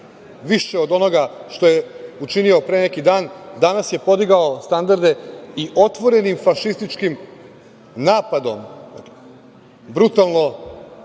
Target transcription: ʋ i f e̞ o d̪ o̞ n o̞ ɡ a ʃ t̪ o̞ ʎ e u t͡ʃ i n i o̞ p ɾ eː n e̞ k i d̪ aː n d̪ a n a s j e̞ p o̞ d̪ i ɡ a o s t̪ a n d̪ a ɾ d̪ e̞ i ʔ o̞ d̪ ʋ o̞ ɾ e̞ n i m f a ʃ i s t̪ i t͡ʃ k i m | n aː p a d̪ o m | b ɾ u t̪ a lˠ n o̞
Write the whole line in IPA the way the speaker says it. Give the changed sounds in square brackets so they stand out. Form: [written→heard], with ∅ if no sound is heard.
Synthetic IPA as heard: ʋ i [f→ʃ] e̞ o d̪ o̞ n o̞ ɡ a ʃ t̪ o̞ [ʎ→j] e u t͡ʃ i n i o̞ p ɾ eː n e̞ k i d̪ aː n d̪ a n a s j e̞ p o̞ d̪ i ɡ a o s t̪ a n d̪ a ɾ d̪ e̞ i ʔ o̞ [d̪→t̪] ʋ o̞ ɾ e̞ n i m f a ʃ i s t̪ i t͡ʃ k i m | n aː p a d̪ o m | b ɾ u t̪ a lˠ n o̞